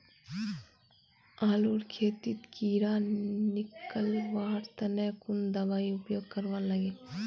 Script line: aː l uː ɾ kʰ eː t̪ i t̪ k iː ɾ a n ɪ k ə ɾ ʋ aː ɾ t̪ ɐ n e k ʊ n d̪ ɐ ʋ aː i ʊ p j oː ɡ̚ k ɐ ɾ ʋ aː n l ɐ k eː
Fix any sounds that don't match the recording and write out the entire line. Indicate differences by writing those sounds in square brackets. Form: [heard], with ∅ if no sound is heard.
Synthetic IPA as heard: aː l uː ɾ kʰ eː t̪ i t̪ k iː ɾ a n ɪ k ə [l] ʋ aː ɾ t̪ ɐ n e k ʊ n d̪ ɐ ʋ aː i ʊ p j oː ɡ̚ k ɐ ɾ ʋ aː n l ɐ [ɡ] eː